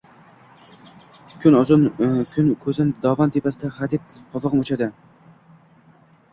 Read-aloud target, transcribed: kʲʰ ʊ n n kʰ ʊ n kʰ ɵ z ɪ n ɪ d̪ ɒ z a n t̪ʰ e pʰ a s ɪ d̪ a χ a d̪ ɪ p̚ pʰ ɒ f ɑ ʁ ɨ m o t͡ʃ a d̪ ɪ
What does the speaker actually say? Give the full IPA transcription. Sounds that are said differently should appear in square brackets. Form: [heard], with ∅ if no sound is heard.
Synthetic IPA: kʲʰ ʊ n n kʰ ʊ n kʰ ɵ z ɪ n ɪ d̪ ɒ [v] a n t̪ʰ e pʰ a s ɪ d̪ a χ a d̪ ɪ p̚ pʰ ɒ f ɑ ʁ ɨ m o t͡ʃ a d̪ ɪ